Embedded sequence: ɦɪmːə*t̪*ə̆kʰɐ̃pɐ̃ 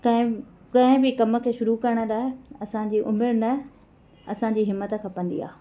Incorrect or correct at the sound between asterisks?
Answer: correct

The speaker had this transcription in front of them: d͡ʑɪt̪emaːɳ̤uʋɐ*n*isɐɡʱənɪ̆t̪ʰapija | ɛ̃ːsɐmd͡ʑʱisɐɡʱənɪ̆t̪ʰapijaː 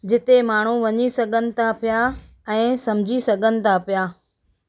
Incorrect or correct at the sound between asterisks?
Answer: incorrect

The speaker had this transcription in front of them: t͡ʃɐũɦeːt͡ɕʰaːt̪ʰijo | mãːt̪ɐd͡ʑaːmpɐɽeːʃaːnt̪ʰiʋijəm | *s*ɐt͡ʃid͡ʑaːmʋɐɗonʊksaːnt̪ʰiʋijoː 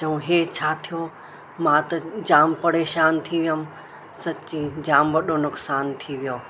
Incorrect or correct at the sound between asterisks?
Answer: correct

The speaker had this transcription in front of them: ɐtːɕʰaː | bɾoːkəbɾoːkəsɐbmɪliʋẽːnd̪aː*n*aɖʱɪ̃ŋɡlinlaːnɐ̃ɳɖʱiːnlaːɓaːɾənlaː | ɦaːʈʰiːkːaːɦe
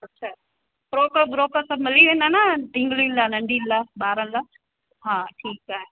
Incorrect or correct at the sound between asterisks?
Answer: correct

